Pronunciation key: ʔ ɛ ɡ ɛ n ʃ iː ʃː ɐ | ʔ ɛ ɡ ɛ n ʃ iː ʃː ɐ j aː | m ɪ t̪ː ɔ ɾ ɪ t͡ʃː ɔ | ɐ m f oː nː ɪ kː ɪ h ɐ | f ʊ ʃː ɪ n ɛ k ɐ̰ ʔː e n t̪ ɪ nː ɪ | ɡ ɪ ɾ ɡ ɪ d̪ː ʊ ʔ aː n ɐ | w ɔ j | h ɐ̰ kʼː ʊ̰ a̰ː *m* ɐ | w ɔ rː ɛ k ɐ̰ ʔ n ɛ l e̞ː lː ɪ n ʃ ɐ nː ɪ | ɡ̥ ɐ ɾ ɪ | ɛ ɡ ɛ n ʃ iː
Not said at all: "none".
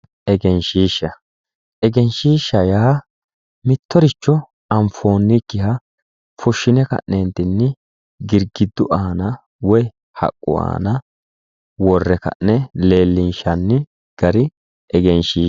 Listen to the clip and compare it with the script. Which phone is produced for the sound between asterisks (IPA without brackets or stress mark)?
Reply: n